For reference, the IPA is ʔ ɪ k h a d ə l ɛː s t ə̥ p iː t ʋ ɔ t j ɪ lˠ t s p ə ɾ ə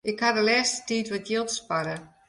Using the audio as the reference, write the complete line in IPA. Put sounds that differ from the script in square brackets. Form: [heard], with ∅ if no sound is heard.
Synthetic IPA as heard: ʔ ɪ k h a d ə l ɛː s t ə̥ [t] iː t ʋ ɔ t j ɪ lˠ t s p [a] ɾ ə